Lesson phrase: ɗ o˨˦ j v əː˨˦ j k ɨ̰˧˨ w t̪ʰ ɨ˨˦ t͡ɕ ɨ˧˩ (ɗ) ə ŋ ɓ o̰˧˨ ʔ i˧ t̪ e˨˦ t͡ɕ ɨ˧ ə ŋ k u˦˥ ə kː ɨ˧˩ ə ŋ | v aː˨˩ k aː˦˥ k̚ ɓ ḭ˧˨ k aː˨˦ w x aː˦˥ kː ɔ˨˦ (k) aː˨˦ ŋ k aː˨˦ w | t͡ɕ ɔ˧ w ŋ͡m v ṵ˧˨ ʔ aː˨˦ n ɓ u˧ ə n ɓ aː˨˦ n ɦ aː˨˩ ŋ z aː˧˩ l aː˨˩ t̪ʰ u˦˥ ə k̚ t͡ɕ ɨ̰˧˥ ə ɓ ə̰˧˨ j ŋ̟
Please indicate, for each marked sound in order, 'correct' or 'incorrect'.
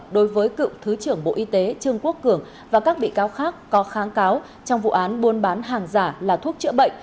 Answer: incorrect, incorrect

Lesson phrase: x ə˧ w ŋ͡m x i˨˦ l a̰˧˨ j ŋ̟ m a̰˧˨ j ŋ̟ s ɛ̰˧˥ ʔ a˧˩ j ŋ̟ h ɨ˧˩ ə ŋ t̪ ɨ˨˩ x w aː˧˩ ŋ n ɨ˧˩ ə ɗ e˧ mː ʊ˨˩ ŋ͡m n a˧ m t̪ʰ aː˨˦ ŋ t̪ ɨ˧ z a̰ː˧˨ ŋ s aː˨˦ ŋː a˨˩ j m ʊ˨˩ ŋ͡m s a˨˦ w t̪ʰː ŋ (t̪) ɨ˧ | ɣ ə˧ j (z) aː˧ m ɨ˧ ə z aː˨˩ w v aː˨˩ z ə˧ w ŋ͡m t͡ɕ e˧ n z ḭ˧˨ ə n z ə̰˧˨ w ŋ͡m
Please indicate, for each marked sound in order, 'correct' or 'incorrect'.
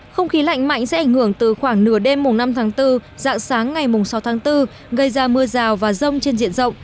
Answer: correct, correct

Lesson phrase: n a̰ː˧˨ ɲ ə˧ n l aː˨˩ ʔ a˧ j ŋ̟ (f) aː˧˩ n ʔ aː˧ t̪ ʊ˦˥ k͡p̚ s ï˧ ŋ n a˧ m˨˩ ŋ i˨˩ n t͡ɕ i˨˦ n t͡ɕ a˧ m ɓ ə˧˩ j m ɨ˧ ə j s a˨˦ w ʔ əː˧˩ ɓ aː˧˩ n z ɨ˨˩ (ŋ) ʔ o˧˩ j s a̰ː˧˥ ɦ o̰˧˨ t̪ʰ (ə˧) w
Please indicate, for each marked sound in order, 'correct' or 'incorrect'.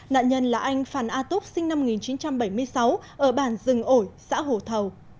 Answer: correct, correct, incorrect

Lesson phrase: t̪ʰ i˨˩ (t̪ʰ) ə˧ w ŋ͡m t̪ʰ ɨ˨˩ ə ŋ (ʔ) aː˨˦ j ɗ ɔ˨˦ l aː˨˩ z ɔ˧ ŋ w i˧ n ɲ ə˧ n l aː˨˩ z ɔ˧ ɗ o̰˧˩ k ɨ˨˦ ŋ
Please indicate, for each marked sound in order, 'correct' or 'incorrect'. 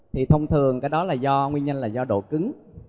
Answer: correct, incorrect

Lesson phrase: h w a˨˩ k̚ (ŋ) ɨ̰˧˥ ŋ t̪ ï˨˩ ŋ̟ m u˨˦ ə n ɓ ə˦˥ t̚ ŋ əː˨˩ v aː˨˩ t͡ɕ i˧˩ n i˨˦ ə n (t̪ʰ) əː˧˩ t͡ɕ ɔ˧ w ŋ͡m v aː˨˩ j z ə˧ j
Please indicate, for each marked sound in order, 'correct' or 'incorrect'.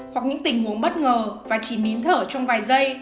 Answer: incorrect, correct

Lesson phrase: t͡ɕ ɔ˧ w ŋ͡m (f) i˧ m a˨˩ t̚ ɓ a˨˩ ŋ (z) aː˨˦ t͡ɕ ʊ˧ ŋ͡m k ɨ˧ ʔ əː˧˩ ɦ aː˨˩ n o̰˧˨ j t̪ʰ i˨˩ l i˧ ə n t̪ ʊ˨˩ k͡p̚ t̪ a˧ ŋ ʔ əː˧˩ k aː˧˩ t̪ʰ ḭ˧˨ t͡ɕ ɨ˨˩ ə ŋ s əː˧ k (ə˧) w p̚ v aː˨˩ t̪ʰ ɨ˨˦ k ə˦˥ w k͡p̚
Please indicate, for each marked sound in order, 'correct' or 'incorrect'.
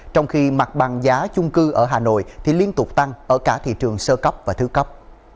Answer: incorrect, correct, incorrect

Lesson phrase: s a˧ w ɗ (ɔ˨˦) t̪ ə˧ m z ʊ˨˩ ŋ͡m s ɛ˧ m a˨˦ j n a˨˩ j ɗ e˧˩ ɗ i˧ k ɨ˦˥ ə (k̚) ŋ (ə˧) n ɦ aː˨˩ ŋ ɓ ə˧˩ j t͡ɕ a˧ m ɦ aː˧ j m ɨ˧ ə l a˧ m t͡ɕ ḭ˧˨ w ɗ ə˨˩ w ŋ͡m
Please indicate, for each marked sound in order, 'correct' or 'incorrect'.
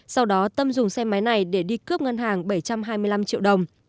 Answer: correct, incorrect, incorrect

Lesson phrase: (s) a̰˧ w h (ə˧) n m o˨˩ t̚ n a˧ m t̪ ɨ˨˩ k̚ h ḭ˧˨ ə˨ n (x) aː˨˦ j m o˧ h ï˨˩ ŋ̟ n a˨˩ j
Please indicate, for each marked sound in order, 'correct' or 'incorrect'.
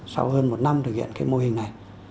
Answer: correct, incorrect, incorrect

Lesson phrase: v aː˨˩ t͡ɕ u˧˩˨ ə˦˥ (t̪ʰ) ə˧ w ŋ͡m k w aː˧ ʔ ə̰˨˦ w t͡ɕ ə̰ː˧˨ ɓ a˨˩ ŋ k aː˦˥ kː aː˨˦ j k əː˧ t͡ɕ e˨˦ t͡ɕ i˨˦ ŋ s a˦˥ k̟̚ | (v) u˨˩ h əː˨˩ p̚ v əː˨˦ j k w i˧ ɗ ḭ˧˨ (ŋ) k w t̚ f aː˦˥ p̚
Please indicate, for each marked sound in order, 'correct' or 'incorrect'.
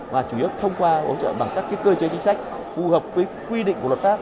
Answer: correct, incorrect, correct

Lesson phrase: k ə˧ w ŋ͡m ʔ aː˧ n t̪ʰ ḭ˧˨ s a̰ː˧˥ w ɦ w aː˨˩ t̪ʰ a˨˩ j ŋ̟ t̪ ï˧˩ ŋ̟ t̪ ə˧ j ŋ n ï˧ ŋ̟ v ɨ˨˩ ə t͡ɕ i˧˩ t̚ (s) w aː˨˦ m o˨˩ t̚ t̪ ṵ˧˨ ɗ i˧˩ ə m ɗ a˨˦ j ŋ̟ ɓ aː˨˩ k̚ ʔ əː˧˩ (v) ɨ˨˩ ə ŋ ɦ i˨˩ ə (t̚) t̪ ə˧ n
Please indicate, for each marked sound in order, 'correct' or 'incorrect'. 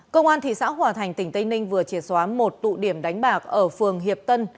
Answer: correct, incorrect, incorrect

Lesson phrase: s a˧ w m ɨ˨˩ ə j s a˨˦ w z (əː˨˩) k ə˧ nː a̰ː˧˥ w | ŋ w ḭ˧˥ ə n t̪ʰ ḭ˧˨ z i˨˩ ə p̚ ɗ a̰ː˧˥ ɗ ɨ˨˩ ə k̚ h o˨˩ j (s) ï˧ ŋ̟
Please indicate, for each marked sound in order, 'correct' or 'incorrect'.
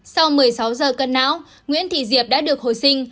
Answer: correct, correct

